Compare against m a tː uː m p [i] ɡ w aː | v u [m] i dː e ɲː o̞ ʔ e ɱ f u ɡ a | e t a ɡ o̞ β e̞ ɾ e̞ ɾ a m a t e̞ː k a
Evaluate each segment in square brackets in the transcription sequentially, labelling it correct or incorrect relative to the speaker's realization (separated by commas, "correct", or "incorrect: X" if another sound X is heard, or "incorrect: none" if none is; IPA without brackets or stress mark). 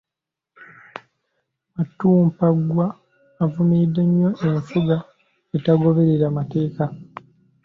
incorrect: a, correct